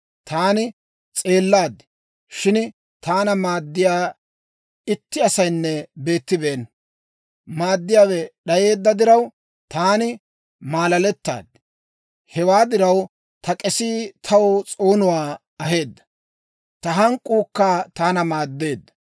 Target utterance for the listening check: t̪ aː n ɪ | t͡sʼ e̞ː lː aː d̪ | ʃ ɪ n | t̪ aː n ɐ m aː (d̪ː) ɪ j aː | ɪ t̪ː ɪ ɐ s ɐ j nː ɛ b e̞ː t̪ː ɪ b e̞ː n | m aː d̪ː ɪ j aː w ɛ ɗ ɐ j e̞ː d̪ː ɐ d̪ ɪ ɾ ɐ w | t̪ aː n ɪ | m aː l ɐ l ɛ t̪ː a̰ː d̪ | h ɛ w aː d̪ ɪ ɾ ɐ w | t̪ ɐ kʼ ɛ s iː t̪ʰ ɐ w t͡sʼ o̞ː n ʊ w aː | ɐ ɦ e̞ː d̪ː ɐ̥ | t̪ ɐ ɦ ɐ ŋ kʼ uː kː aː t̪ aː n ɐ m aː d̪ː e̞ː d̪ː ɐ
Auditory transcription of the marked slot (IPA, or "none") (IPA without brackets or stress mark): d̪ː